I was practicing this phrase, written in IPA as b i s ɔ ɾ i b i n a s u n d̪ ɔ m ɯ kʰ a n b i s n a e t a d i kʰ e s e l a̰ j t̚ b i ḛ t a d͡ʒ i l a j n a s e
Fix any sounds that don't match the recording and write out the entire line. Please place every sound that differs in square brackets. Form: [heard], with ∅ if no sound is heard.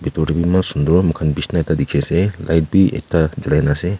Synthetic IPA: b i [t] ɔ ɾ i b i [m] a s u n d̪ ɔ m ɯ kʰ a n b i s n a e t a d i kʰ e s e l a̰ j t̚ b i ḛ t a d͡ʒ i l a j n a s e